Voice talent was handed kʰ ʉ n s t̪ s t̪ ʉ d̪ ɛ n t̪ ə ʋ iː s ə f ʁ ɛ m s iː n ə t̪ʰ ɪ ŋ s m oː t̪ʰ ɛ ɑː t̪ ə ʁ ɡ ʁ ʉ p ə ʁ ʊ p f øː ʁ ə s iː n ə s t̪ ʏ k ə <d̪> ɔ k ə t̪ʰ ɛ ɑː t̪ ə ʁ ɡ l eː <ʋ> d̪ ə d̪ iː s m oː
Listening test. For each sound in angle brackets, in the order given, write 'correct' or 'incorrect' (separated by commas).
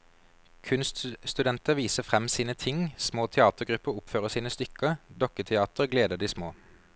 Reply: correct, incorrect